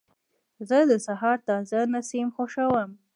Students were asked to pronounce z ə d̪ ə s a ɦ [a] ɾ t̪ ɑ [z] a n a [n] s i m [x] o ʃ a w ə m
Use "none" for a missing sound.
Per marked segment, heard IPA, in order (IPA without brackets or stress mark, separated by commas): ɑ, z, none, x